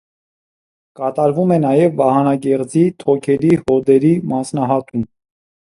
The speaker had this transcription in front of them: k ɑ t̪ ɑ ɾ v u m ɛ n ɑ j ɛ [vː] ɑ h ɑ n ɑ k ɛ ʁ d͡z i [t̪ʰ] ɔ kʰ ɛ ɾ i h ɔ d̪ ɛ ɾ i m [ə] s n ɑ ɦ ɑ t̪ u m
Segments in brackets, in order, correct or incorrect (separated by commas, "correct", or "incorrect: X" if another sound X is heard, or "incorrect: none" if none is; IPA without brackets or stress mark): correct, correct, incorrect: ɑ